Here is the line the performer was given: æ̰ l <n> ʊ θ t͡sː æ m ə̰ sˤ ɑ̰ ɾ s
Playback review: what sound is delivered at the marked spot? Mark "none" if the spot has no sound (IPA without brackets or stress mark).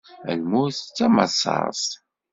m